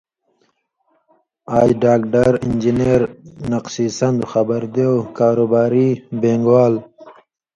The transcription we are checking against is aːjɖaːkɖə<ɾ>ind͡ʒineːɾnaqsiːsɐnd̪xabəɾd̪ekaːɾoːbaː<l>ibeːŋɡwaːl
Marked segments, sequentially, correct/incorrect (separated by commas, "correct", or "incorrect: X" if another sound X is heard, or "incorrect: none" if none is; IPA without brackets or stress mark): correct, incorrect: ɾ